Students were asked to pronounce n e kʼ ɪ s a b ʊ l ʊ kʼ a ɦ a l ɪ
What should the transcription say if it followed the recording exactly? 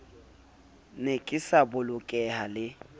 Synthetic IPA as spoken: n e kʼ ɪ s a b ʊ l ʊ kʼ ɛ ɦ a l ɪ